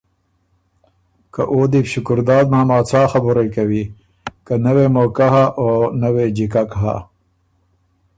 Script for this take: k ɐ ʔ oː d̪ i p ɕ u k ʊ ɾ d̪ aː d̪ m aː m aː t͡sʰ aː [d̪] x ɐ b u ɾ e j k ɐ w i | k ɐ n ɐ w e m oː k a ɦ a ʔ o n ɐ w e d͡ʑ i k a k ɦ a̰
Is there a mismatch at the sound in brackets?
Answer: yes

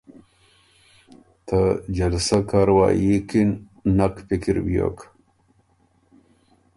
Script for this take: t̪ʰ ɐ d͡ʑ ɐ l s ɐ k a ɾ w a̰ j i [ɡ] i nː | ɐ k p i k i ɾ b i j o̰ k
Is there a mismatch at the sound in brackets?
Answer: yes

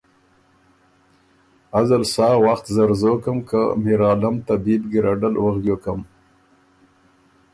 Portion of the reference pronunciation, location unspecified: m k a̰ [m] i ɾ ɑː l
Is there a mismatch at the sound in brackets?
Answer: no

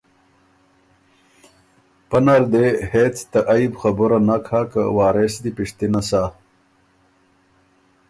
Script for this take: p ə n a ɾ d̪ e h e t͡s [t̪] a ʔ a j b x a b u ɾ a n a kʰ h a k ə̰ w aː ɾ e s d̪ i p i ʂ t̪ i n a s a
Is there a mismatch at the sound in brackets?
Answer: no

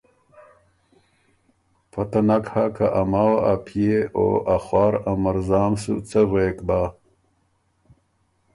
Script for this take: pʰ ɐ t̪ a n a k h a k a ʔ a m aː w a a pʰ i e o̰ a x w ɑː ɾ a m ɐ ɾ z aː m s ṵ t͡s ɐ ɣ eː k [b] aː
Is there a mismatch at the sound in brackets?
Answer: no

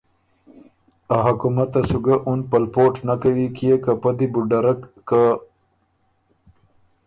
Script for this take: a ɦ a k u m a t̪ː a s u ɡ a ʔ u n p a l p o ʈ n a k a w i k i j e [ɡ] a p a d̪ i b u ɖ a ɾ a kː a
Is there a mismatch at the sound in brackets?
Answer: yes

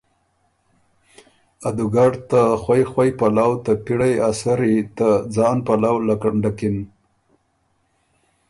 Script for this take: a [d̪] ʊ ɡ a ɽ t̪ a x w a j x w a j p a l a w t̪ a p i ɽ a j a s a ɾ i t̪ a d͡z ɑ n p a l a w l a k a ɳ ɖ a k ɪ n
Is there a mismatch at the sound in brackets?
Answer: no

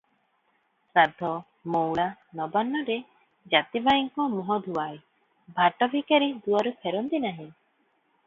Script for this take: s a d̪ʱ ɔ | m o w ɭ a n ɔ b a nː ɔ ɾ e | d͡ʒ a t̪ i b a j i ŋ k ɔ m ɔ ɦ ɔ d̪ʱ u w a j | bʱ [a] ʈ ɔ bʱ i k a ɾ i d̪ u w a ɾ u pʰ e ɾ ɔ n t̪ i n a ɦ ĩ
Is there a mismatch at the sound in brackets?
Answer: no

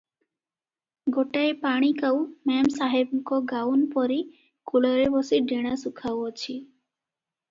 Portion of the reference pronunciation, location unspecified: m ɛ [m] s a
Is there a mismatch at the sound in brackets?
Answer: no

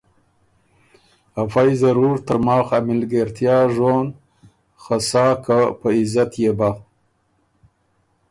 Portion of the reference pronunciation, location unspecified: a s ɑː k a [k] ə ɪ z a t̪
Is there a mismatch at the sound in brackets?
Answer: yes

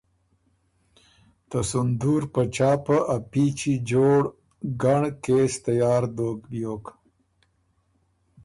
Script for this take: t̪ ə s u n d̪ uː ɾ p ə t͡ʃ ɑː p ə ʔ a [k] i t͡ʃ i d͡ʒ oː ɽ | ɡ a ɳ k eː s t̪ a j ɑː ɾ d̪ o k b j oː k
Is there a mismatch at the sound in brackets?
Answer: yes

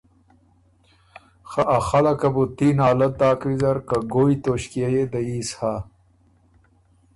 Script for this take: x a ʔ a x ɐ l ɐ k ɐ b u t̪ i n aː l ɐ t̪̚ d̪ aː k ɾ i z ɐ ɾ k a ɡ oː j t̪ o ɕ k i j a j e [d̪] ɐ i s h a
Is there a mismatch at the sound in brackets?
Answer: no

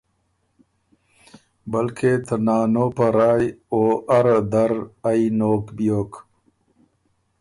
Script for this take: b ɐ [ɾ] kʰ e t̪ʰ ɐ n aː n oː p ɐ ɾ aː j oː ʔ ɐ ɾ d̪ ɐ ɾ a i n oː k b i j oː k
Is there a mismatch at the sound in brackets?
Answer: yes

